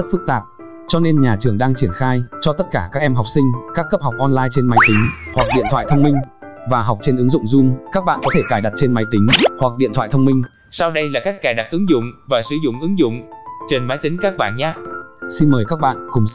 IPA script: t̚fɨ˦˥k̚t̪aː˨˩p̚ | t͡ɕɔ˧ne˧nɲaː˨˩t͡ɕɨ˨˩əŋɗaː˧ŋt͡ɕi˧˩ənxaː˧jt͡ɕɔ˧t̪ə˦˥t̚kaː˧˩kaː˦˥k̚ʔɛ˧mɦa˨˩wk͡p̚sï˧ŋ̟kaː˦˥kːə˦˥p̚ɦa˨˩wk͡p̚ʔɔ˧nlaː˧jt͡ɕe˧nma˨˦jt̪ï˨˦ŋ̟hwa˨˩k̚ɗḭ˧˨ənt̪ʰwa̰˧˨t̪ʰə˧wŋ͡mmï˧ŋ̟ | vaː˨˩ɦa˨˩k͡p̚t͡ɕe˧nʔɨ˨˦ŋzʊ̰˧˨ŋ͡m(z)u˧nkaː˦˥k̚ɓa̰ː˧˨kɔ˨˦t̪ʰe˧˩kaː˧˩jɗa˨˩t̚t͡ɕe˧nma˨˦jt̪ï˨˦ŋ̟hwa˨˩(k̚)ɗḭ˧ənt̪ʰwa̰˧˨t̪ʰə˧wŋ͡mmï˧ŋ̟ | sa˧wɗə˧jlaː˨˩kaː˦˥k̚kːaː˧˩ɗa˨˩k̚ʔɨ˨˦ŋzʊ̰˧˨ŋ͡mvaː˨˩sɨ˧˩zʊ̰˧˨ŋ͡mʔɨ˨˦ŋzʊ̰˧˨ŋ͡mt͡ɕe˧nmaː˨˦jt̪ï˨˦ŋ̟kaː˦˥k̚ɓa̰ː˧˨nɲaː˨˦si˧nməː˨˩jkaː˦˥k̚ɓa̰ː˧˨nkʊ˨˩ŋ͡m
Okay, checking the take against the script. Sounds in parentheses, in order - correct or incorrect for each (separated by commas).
correct, correct